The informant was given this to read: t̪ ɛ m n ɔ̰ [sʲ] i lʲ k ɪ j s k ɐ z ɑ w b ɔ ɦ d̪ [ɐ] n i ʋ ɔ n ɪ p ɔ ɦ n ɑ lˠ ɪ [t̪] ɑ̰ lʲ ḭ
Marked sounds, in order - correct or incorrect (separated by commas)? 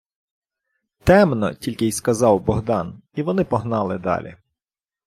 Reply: incorrect, incorrect, incorrect